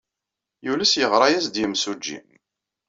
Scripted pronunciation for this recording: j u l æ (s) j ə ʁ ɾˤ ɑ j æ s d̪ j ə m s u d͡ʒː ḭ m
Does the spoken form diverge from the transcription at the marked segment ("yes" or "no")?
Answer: no